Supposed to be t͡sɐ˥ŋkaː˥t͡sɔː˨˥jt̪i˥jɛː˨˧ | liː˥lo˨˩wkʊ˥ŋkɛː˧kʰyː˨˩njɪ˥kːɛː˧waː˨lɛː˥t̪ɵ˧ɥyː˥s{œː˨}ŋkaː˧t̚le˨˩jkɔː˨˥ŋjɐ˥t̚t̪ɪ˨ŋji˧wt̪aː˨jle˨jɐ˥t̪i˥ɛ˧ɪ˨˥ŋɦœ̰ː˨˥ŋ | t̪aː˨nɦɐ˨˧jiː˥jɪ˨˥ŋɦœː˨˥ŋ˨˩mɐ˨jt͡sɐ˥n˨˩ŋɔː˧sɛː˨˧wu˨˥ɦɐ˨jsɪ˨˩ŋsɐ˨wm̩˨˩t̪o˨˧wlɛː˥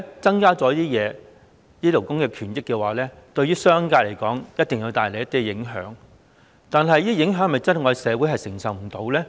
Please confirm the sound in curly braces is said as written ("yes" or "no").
no